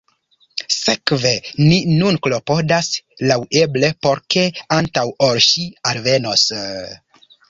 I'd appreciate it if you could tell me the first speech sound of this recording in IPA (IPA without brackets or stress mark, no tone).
s